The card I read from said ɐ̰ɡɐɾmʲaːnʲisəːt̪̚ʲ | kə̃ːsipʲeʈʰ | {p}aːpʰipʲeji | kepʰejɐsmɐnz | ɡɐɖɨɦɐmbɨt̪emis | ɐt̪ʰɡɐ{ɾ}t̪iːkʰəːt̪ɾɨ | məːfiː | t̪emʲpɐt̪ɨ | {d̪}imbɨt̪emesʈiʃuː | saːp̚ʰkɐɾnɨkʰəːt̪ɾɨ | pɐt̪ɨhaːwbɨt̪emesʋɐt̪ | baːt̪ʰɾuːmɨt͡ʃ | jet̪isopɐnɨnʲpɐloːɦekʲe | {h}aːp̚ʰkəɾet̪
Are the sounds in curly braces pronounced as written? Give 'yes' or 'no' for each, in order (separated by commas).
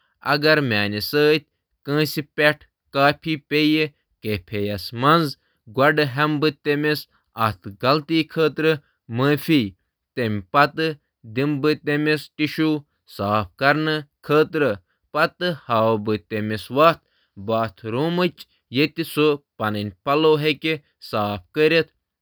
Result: no, no, yes, no